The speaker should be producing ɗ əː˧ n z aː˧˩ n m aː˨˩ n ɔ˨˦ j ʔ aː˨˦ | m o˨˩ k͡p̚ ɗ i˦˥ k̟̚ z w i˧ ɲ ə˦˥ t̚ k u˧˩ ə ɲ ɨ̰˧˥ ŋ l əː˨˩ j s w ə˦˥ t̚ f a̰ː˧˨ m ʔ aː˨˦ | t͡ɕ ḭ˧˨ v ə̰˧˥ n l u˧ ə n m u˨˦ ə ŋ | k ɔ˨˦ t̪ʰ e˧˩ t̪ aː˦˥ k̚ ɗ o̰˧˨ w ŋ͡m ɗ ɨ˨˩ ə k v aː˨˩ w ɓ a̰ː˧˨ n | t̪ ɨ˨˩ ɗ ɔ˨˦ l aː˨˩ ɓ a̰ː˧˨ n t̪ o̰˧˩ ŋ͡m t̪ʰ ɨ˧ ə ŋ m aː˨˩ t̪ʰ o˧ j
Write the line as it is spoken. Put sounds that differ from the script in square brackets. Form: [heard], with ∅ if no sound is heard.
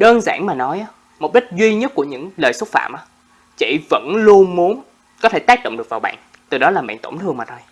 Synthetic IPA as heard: ɗ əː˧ n z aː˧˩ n m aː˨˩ n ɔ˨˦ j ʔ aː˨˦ | m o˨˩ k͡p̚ ɗ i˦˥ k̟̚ z w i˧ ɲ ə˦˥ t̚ k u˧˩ ə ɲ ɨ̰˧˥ ŋ l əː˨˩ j s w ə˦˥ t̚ f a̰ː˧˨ m ʔ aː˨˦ | t͡ɕ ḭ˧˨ v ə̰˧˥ n l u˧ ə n m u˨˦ ə [n] | k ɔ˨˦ t̪ʰ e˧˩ t̪ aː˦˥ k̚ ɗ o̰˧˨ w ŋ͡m ɗ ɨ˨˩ ə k v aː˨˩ w ɓ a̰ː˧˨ n | t̪ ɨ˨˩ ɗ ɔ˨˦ l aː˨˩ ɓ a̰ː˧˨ n t̪ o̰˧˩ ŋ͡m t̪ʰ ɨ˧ ə ŋ m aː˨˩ t̪ʰ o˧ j